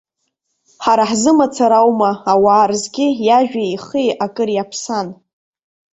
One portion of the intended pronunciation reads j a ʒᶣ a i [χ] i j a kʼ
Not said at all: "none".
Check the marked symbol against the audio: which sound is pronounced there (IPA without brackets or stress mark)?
χ